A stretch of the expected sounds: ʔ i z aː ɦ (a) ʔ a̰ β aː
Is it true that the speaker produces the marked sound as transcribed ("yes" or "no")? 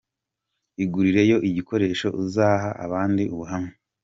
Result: yes